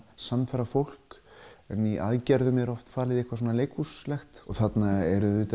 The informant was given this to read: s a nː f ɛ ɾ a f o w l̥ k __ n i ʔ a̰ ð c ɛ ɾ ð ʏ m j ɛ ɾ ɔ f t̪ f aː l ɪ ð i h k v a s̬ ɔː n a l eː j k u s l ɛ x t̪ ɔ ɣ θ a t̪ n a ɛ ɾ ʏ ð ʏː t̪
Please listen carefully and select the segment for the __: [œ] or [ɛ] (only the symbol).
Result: ɛ